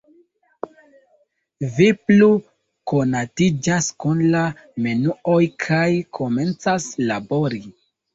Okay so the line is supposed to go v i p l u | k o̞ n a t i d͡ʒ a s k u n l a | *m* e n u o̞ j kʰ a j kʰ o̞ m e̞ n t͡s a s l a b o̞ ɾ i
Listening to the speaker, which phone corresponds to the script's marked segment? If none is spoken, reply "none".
m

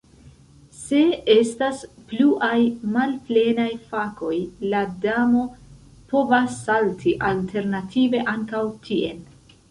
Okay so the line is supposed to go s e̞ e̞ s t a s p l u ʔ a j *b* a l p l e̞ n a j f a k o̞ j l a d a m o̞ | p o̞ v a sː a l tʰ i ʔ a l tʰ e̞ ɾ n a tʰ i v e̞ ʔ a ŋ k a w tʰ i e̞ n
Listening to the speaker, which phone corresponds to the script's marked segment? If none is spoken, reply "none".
m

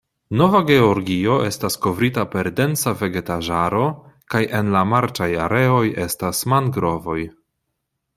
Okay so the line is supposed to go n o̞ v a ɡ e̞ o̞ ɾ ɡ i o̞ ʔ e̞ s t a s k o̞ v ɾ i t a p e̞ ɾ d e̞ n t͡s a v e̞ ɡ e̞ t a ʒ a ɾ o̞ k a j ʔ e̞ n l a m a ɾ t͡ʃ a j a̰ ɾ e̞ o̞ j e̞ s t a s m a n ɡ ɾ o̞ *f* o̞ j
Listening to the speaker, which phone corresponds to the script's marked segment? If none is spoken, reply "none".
v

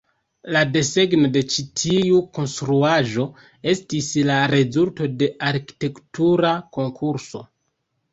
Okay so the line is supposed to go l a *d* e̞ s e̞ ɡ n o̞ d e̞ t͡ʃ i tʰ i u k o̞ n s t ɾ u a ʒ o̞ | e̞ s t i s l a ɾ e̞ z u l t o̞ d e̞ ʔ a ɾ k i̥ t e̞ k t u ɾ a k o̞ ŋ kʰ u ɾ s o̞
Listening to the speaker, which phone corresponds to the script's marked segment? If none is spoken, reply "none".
d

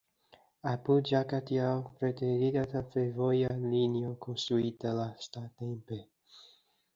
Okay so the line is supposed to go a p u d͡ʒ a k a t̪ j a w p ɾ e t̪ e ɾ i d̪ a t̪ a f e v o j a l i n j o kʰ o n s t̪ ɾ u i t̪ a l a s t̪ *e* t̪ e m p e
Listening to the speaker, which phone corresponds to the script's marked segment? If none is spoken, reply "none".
a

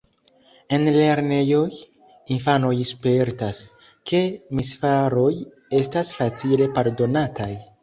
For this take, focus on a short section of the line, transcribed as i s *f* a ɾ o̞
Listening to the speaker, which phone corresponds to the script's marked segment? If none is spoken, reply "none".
f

